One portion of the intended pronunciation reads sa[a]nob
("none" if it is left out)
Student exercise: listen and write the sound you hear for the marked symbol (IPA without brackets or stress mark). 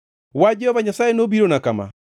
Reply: e